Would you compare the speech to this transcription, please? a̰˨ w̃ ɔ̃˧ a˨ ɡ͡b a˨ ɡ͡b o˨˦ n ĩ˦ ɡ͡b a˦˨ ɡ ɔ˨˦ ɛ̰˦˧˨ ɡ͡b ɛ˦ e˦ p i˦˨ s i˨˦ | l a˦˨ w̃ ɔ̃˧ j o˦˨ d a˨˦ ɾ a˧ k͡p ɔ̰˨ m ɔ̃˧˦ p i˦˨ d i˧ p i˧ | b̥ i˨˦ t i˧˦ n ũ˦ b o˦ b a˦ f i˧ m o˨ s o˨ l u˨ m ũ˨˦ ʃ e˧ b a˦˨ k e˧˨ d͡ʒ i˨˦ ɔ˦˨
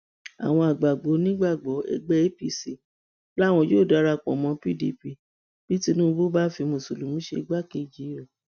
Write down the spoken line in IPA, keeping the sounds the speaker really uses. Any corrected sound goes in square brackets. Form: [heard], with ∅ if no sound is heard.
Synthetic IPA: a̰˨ w̃ ɔ̃˧ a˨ ɡ͡b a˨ ɡ͡b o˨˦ n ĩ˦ ɡ͡b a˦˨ [ɡ͡b] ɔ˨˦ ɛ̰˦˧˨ ɡ͡b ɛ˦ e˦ p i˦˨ s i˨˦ | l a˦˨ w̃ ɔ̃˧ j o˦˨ d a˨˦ ɾ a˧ k͡p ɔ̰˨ m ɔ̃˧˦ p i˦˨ d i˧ p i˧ | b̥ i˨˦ t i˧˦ n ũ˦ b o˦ b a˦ f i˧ m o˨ s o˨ l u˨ m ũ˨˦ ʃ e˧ [ɡ͡b] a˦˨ k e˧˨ d͡ʒ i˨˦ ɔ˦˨